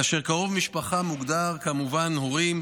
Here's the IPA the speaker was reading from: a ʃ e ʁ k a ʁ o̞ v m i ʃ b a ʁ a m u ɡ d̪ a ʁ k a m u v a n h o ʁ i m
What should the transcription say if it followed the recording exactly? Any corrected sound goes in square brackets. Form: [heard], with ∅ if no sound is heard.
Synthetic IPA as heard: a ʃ e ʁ k a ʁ o̞ v m i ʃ [p] a [χ] a m u ɡ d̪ a ʁ k a m u v a n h o ʁ i m